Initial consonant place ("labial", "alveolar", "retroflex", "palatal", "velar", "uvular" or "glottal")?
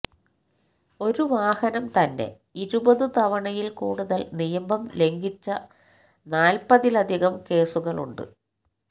alveolar